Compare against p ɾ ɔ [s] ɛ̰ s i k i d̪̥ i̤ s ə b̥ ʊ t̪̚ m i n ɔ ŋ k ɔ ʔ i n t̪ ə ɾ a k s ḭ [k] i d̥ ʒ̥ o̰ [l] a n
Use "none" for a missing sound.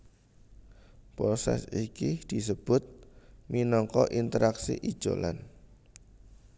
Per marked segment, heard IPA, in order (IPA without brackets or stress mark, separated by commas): s, ʔ, l